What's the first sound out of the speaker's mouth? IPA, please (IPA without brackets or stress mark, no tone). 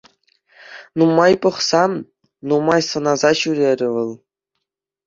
n